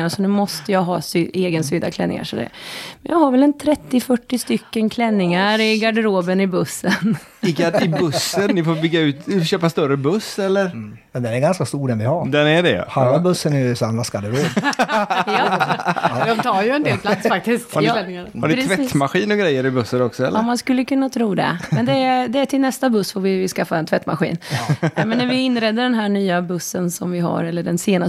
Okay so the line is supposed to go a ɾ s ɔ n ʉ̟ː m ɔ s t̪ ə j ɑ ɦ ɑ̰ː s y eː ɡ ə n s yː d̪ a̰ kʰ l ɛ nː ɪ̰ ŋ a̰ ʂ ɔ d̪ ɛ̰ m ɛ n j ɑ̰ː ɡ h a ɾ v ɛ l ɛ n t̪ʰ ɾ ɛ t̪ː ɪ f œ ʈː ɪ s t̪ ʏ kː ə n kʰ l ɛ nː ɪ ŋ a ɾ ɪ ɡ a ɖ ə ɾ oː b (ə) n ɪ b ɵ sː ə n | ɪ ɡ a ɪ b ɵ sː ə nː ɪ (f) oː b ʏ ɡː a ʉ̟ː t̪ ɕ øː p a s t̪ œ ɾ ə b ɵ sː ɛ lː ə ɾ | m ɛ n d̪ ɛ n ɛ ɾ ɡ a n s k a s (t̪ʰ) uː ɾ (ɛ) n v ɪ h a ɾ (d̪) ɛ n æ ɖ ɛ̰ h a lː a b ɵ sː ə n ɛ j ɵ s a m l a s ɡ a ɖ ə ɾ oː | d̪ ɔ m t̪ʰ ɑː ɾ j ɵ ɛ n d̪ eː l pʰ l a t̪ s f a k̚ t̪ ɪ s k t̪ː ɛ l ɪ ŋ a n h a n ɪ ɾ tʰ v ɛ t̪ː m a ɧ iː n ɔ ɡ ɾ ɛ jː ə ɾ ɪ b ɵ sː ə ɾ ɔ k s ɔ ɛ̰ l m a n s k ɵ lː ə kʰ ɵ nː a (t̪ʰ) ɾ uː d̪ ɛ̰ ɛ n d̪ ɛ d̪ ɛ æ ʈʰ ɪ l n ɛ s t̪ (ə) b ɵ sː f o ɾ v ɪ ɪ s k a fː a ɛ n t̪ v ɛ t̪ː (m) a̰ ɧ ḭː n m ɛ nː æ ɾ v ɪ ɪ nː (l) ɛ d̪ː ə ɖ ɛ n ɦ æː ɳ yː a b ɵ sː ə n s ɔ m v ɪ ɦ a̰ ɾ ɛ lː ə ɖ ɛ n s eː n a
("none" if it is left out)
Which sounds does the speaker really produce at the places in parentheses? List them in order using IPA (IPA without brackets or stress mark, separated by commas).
ə, f, t̪, ɛ, d̪, t̪ʰ, a, m, ɾ